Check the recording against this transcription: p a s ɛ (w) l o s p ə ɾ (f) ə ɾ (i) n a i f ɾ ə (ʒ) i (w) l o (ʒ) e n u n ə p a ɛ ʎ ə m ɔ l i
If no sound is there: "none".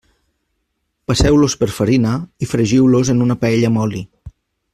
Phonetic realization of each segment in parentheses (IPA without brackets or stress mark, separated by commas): w, f, i, ʒ, w, z